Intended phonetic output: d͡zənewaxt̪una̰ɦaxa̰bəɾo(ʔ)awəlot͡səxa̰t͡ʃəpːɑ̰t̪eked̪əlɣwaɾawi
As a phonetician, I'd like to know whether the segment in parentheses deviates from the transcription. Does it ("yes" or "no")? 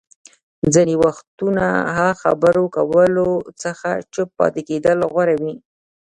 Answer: yes